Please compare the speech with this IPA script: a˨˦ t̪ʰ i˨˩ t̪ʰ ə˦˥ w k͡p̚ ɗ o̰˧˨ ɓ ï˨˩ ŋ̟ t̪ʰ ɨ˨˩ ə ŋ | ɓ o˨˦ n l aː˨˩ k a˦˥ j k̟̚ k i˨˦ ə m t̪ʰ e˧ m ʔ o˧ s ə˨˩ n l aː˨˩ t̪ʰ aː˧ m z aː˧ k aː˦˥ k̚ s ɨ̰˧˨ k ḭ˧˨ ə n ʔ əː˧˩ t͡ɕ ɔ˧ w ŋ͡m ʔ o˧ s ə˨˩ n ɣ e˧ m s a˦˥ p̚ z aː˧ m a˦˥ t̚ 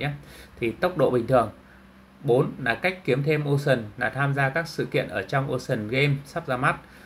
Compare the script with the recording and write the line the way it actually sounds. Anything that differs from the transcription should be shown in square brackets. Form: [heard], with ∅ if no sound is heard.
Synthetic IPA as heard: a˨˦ t̪ʰ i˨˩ [t̪] ə˦˥ w k͡p̚ ɗ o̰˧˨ ɓ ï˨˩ ŋ̟ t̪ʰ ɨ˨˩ ə ŋ | ɓ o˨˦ n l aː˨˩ k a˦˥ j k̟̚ k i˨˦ ə m t̪ʰ e˧ m ʔ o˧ s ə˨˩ n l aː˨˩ t̪ʰ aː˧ m z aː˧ k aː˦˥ k̚ s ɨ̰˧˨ k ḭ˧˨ ə n ʔ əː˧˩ t͡ɕ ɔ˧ w ŋ͡m ʔ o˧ s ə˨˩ n ɣ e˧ m s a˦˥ p̚ z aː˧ m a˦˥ t̚